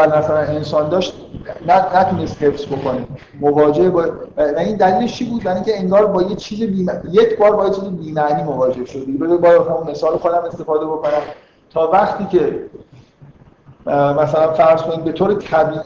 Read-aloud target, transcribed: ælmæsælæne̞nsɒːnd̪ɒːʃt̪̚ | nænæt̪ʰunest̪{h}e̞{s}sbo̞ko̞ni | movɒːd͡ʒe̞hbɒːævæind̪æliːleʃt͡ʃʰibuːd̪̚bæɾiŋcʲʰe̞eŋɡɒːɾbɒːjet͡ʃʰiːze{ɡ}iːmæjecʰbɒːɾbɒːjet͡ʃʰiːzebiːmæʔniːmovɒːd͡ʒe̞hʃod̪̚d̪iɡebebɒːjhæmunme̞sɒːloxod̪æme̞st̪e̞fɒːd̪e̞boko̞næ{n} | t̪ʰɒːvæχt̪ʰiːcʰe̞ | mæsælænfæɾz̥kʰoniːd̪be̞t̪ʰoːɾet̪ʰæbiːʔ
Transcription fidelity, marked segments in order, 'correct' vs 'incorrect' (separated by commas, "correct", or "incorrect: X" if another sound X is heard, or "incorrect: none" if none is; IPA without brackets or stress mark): correct, incorrect: f, incorrect: b, incorrect: m